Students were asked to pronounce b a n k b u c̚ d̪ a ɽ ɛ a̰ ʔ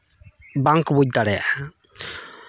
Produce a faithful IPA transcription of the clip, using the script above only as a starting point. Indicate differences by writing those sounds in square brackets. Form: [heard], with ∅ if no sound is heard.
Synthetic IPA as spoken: b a [ŋ] k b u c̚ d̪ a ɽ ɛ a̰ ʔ